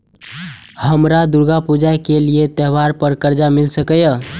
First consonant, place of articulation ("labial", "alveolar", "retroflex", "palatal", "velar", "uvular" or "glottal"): glottal